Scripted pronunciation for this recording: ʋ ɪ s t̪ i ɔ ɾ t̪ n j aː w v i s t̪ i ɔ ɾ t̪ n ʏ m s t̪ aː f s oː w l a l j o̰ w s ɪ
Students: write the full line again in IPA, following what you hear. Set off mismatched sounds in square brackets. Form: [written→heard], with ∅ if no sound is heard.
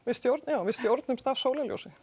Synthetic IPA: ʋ ɪ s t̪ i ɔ ɾ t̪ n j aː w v [i→ɪ] s t̪ i ɔ ɾ t̪ n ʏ m s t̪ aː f s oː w l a l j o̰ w s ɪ